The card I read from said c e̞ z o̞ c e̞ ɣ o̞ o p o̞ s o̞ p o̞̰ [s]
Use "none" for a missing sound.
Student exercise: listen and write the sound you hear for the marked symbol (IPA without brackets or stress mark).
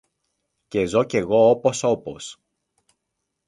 s